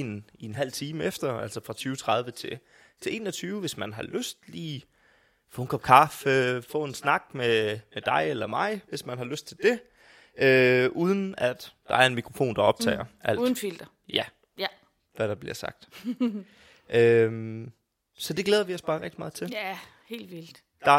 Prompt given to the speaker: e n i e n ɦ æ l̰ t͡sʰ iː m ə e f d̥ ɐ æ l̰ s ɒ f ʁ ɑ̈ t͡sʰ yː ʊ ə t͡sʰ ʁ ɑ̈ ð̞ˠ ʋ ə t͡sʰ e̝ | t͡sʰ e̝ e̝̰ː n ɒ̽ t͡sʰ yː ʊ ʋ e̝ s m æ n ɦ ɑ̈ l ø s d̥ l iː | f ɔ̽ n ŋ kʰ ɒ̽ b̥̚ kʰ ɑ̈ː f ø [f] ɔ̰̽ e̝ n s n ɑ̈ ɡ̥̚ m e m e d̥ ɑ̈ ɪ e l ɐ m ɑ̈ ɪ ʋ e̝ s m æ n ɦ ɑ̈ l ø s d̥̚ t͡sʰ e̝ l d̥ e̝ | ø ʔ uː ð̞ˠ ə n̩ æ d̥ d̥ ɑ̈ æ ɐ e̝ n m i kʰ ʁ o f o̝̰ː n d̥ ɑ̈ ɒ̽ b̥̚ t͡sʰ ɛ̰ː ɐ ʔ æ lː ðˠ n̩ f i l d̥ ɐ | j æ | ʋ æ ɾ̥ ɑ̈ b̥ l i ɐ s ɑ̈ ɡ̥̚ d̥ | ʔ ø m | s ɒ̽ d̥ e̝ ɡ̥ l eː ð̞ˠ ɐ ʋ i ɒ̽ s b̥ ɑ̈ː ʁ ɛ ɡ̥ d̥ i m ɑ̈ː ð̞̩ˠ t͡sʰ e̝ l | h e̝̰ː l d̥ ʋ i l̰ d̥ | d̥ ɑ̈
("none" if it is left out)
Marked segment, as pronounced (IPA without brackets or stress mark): f